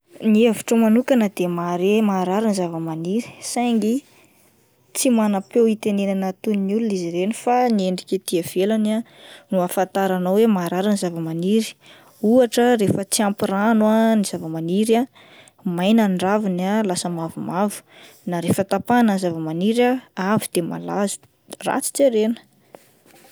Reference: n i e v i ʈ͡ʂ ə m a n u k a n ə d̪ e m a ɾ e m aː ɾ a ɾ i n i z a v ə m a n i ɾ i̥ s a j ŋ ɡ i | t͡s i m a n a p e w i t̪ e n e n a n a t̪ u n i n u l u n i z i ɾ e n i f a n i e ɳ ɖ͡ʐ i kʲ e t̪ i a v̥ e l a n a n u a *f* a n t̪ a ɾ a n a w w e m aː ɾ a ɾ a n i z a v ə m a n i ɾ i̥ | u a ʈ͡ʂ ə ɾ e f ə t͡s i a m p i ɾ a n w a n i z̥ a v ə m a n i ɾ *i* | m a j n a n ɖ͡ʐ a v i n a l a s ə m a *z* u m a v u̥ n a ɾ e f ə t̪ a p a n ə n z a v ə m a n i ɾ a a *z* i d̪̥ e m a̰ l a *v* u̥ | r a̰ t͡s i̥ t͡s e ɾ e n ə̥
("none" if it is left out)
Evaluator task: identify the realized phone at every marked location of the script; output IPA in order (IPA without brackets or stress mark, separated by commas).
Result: f, a, v, v, z